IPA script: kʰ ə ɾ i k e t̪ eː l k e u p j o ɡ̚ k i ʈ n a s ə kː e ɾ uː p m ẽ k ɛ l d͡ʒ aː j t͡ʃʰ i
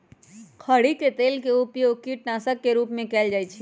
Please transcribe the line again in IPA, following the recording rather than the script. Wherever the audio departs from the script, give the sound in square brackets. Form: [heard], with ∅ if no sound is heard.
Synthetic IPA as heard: kʰ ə [ɽ] i k e t̪ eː l k e u p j o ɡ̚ k i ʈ n a s ə kː e ɾ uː p m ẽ k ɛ l d͡ʒ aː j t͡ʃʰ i